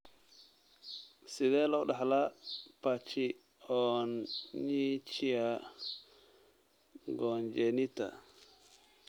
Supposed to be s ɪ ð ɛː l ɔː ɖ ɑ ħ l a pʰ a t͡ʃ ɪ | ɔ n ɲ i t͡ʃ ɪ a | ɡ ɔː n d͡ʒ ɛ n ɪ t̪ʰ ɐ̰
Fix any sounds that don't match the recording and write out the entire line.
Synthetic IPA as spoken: s ɪ ð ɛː l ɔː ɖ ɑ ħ l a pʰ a t͡ʃ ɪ | ɔ n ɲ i t͡ʃ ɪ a | ɡ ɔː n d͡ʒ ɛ n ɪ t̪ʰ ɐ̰

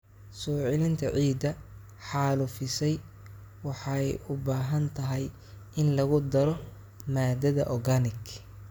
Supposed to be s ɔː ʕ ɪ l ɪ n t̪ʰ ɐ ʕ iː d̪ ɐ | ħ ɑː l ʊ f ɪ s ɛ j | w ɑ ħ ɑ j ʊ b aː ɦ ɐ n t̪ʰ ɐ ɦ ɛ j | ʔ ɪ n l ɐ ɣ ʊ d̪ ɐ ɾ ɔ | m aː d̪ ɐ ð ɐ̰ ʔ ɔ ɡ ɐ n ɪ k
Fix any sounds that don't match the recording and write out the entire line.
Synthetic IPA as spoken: s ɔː ʕ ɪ l ɪ n t̪ʰ ɐ ʕ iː d̪ ɐ | ħ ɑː l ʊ f ɪ s ɛ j | w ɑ ħ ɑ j ʊ b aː ɦ ɐ n t̪ʰ ɐ ɦ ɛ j | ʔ ɪ n l ɐ ɣ ʊ d̪ ɐ ɾ ɔ | m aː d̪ ɐ ð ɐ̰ ʔ ɔ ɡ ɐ n ɪ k

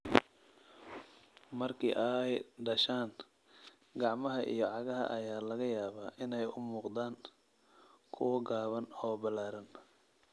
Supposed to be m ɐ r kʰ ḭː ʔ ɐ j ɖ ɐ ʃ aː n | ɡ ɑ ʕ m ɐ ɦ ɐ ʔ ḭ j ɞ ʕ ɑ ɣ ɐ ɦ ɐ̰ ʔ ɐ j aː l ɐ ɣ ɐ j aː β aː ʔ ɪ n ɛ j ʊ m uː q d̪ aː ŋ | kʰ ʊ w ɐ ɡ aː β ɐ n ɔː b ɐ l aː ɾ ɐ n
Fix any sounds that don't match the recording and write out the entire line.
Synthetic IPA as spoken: m ɐ r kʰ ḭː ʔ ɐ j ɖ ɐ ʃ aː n | ɡ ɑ ʕ m ɐ ɦ ɐ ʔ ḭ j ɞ ʕ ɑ ɣ ɐ ɦ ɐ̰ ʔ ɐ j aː l ɐ ɣ ɐ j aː β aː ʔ ɪ n ɛ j ʊ m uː q d̪ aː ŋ | kʰ ʊ w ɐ ɡ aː β ɐ n ɔː b ɐ l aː ɾ ɐ n

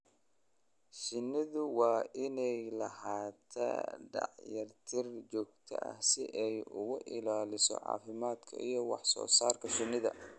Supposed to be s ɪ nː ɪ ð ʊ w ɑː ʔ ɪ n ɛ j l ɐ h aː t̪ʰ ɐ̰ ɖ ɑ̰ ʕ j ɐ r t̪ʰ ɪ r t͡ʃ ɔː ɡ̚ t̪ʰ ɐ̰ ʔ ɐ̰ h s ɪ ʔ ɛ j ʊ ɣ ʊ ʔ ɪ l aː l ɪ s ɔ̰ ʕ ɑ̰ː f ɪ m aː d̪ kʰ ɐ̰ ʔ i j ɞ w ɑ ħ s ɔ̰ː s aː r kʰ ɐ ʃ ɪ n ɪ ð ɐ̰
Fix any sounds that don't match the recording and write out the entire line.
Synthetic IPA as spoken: ʃ ɪ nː ɪ ð ʊ w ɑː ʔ ɪ n ɛ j l ɐ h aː t̪ʰ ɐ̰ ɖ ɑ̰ ʕ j ɐ r t̪ʰ ɪ r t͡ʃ ɔː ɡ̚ t̪ʰ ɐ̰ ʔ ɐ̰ h s ɪ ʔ ɛ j ʊ ɣ ʊ ʔ ɪ l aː l ɪ s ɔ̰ ʕ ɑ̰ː f ɪ m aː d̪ kʰ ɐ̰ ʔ i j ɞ w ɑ ħ s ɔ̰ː s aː r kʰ ɐ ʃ ɪ n ɪ ð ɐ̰

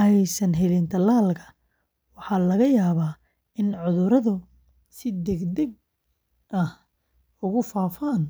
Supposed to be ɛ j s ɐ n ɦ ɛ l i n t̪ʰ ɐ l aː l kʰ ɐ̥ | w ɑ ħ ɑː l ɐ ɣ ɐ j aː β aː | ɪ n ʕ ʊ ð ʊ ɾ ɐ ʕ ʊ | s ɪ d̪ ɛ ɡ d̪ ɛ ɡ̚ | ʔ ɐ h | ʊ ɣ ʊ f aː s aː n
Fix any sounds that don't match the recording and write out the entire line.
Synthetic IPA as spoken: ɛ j s ɐ n ɦ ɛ l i n t̪ʰ ɐ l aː l kʰ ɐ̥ | w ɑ ħ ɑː l ɐ ɣ ɐ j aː β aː | ɪ n ʕ ʊ ð ʊ ɾ ɐ ð ʊ | s ɪ d̪ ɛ ɡ d̪ ɛ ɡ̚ | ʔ ɐ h | ʊ ɣ ʊ f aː f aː n

